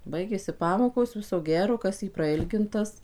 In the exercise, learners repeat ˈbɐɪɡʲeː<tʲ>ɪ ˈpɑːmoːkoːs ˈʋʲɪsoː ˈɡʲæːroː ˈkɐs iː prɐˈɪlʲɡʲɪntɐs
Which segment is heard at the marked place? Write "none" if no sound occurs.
sʲ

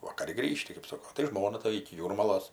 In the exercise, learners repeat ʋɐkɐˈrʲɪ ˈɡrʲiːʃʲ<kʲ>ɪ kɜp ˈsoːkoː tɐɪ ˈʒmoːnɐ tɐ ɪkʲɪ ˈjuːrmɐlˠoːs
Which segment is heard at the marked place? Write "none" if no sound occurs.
tʲ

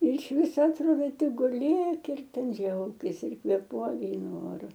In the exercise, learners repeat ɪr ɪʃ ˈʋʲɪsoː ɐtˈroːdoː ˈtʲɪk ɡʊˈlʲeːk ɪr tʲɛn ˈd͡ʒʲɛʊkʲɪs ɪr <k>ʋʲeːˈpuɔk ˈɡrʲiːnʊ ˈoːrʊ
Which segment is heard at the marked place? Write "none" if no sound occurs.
k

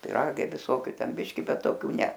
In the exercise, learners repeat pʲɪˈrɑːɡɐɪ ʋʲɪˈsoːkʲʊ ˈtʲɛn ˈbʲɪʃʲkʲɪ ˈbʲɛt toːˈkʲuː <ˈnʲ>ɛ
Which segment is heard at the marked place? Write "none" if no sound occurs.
nʲ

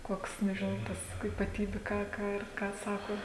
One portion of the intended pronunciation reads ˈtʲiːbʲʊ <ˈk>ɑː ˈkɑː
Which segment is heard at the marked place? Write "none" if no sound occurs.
k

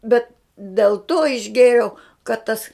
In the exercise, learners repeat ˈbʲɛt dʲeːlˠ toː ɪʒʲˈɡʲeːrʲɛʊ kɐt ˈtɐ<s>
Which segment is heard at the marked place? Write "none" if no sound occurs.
s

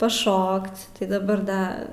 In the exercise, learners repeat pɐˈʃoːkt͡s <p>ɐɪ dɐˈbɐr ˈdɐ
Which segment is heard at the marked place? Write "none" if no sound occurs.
t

